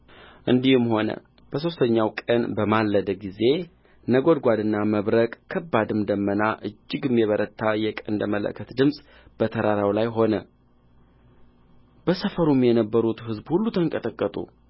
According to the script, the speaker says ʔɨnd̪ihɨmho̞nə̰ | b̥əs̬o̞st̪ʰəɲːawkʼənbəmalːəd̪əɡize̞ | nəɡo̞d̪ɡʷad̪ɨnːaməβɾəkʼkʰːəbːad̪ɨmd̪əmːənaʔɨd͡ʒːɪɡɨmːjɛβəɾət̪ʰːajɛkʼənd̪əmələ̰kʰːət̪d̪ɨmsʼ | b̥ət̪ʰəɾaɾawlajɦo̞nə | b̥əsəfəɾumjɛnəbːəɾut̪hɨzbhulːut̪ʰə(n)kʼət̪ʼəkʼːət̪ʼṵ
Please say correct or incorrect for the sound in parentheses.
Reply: incorrect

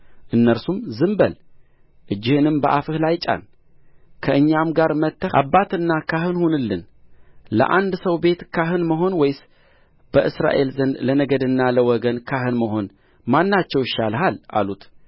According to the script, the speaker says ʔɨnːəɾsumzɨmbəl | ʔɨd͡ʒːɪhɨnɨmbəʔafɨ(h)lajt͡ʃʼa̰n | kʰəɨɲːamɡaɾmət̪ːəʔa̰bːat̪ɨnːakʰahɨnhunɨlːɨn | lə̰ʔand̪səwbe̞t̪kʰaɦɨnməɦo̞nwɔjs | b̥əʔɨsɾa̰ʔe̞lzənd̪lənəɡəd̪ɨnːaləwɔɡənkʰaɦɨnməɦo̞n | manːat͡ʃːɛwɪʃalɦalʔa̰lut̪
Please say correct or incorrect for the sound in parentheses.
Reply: correct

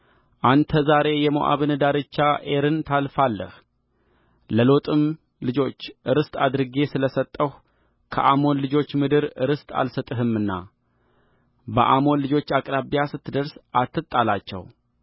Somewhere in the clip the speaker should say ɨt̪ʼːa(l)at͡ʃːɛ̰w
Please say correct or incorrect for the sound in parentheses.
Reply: correct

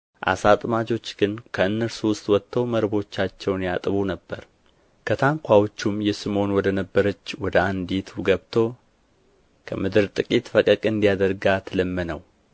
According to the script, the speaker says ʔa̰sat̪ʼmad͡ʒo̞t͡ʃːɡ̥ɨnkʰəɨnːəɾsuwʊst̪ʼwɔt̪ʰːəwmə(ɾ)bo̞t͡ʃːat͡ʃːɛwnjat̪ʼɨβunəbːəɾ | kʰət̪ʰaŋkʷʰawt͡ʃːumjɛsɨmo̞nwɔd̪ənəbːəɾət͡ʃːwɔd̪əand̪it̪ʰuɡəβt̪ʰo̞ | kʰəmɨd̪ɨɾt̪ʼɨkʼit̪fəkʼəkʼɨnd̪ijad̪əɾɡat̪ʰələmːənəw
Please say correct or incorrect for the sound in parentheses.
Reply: correct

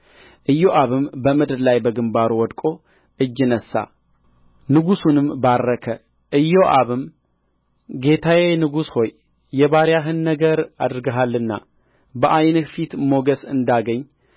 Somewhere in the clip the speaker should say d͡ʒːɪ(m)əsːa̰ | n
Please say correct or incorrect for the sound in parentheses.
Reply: incorrect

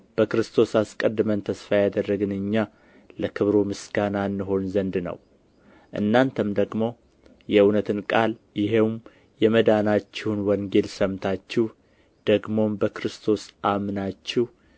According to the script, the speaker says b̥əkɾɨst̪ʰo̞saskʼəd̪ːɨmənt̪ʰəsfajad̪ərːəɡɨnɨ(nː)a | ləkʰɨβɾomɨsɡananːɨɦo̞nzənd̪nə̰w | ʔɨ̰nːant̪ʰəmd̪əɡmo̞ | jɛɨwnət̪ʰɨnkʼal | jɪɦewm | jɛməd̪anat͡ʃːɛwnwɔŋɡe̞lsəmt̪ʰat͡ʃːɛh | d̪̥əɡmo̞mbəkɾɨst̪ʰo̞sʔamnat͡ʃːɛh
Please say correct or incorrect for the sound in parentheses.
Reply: incorrect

